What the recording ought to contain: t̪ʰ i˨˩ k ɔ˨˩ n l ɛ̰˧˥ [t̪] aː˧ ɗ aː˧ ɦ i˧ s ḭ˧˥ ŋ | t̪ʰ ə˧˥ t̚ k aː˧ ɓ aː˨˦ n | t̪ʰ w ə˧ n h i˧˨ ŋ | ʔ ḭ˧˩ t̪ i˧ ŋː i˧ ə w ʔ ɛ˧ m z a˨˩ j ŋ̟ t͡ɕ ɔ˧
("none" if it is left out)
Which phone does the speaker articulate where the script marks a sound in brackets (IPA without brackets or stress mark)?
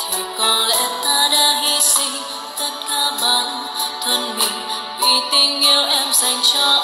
t̪